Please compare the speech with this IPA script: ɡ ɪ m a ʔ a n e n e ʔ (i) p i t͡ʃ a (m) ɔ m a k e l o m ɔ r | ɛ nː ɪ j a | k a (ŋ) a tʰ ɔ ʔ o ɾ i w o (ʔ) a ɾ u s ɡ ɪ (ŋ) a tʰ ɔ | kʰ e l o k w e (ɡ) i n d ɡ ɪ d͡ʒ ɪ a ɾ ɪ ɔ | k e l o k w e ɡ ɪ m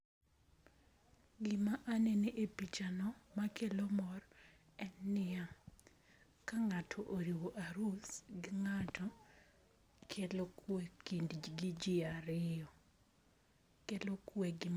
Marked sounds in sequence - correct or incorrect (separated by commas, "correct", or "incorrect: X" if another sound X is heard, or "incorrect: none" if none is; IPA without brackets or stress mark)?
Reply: incorrect: e, incorrect: n, correct, correct, correct, incorrect: k